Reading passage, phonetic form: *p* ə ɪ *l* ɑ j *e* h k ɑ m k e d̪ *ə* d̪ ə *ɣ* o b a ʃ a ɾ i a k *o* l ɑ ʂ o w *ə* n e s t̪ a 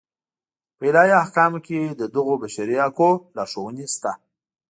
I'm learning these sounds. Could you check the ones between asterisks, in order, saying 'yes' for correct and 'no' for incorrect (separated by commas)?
yes, yes, no, yes, yes, yes, yes